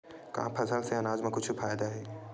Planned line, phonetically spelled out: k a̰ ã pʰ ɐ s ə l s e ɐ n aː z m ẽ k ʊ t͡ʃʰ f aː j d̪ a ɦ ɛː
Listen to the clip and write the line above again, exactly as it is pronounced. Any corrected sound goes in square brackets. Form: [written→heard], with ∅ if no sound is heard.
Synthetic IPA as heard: k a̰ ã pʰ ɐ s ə l s e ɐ n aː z m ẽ k ʊ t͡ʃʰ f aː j d̪ a ɦ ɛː